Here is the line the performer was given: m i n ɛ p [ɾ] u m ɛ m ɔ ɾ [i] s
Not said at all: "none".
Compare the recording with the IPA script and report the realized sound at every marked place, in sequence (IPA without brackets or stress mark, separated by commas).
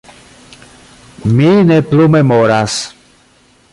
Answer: l, a